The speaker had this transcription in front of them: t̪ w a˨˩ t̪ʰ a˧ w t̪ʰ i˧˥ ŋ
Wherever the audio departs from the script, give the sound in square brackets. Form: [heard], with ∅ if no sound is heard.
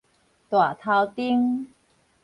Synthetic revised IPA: t̪ w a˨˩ t̪ʰ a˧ w [t̪] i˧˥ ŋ